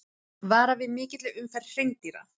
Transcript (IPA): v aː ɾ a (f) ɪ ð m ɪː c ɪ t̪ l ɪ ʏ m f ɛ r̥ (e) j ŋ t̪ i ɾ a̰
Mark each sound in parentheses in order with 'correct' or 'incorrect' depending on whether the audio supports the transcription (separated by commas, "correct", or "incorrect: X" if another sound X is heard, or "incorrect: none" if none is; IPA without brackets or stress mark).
incorrect: v, correct